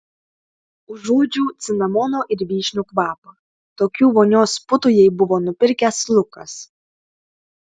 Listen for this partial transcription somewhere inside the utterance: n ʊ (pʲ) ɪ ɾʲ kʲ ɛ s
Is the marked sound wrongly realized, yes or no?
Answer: no